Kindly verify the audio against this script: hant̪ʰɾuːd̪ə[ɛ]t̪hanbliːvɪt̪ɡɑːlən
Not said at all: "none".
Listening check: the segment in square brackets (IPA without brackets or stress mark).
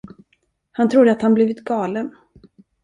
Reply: a